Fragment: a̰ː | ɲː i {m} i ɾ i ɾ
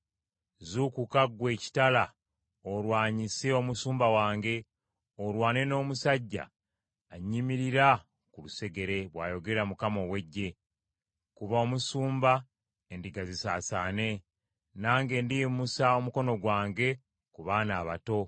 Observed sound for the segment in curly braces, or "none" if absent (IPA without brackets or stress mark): m